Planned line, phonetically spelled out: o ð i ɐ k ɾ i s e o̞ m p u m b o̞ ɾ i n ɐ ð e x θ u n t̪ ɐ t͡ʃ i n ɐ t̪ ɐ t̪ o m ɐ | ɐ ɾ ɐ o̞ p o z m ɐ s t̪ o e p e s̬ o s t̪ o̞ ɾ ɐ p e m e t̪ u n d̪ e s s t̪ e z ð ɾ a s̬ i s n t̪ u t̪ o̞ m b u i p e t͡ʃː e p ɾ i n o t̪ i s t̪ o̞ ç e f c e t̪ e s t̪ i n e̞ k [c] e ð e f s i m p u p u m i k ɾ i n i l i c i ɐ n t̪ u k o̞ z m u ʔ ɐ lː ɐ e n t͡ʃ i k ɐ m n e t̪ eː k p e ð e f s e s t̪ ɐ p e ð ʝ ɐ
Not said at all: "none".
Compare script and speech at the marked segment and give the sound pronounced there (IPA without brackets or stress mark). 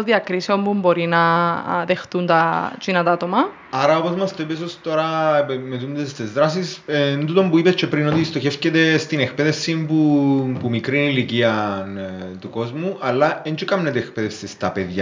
p